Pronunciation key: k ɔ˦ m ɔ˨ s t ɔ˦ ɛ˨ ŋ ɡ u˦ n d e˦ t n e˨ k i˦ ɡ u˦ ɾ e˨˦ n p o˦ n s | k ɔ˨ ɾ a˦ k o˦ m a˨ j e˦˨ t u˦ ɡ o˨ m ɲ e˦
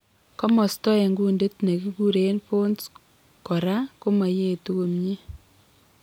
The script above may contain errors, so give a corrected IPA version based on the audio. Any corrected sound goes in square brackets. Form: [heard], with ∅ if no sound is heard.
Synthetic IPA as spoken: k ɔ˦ m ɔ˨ s t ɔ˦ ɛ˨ ŋ ɡ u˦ n d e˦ t n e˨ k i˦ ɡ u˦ ɾ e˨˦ n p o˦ n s | k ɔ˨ ɾ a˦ k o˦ m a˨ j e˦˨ t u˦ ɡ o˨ m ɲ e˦